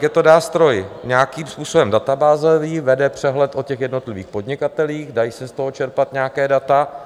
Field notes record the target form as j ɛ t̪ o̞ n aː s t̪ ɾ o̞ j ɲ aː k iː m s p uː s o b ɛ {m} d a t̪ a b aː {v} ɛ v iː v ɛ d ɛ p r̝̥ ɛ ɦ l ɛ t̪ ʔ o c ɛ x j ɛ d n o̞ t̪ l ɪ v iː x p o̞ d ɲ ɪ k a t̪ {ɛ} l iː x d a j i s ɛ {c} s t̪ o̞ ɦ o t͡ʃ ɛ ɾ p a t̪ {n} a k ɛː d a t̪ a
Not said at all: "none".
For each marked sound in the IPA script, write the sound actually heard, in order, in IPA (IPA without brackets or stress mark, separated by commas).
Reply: m, z, ɛ, none, ɲ